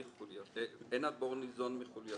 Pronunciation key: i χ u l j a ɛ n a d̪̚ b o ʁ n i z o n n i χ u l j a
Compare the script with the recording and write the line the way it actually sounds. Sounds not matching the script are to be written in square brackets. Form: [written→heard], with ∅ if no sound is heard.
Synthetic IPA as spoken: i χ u l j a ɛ n a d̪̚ b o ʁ n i z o n [n→m] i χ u l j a

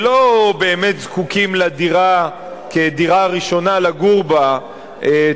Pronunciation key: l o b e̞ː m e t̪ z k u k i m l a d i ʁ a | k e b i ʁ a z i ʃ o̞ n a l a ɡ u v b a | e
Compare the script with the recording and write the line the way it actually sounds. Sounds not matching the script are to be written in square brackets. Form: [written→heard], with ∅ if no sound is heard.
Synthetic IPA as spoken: l o b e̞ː m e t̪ z k u k i m l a d i ʁ a | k e [b→d] i ʁ a [z→ʁ] i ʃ o̞ n a l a ɡ u [v→ʁ] b a | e

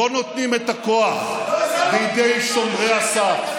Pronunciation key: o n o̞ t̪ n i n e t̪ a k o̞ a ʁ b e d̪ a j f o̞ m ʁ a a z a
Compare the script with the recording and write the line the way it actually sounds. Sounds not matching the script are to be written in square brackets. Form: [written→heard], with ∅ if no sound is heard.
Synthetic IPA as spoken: o n o̞ t̪ n i [n→m] e t̪ a k o̞ a [ʁ→χ] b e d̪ [a→e] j [f→ʃ] o̞ m ʁ [a→e] a [z→s] a

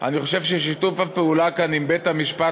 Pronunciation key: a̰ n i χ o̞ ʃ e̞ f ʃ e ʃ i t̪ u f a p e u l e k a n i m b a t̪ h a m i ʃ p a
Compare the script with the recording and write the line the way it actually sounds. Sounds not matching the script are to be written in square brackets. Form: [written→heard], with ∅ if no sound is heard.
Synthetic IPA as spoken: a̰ n i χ o̞ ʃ e̞ [f→v] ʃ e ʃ i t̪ u f a p e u l [e→a] k a n i m b [a→e] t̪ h a m i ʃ p a

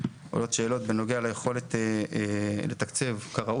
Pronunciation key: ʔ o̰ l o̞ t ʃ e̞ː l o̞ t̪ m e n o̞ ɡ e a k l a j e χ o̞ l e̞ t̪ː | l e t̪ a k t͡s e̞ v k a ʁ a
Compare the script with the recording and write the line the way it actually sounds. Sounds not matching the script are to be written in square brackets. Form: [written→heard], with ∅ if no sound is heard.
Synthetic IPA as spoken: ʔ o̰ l o̞ t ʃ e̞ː l o̞ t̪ [m→b] e n o̞ ɡ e a [k→∅] l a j e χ o̞ l e̞ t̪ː | l e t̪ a k t͡s e̞ v k a ʁ a

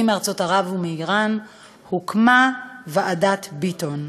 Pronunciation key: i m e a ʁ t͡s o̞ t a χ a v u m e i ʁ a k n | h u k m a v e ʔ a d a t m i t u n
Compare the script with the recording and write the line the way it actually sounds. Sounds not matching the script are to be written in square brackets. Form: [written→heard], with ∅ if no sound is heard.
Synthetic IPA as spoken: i m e a ʁ t͡s o̞ t a [χ→ʁ] a v u m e i ʁ a [k→∅] n | h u k m a v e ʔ a d a t [m→b] i t [u→o] n

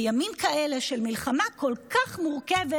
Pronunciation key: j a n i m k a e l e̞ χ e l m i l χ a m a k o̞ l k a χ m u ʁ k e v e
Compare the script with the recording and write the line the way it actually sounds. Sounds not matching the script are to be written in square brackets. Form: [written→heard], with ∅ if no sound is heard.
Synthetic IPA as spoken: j a [n→m] i m k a e l e̞ [χ→ʃ] e l m i l χ a m a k o̞ l k a χ m u ʁ k e v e

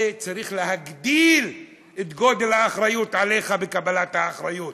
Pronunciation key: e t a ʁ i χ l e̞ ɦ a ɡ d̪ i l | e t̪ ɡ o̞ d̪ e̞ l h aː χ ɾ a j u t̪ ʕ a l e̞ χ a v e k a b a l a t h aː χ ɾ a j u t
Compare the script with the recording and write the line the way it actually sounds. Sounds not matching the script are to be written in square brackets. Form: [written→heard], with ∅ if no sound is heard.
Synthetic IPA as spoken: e [t→t͡s] a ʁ i χ l e̞ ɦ a ɡ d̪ i l | e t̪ ɡ o̞ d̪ e̞ l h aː χ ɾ a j u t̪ ʕ a l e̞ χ a [v→b] e k a b a l a t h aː χ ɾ a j u t

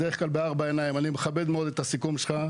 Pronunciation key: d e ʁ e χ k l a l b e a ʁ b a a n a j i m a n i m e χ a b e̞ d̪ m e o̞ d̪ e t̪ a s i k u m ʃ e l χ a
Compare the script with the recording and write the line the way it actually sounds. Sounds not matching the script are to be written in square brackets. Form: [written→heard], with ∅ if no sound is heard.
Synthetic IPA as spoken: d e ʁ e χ k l a l b e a ʁ b a [a→e] n a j i m a n i m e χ a b e̞ d̪ m e o̞ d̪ e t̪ a s i k u m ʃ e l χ a

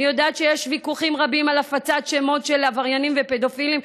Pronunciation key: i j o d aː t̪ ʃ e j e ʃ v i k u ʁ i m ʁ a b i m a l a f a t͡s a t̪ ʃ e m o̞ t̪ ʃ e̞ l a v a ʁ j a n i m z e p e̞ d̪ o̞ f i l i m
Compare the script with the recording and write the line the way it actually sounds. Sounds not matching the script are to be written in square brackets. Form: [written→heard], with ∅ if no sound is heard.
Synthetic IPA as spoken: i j o d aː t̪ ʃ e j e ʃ v i k u [ʁ→χ] i m ʁ a b i m a l a f a t͡s a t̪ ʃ e m o̞ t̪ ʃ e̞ l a v a ʁ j a n i m [z→v] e p e̞ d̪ o̞ f i l i m

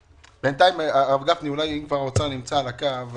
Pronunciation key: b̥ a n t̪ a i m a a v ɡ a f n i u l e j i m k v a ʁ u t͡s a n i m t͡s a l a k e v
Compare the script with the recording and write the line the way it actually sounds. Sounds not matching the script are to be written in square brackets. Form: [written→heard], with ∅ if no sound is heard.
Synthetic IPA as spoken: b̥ [a→e] n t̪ a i m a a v ɡ a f n i u l [e→a] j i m k v a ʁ [u→o] t͡s a n i m t͡s a l a k [e→a] v

